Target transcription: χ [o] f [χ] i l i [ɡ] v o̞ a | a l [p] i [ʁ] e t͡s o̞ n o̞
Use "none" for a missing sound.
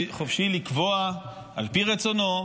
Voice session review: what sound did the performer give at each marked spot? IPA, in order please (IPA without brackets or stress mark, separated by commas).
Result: o, ʃ, k, p, ʁ